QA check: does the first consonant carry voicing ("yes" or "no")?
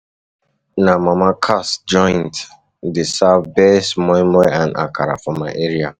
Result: yes